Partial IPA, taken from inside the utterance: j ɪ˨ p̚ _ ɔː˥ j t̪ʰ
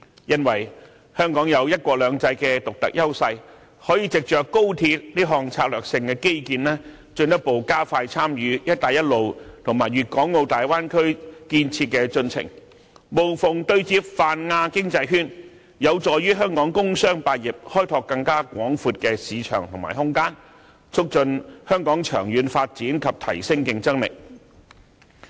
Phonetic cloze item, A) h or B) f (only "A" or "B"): A